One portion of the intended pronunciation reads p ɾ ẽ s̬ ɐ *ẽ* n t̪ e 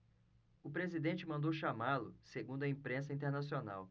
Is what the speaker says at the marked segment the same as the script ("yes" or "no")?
no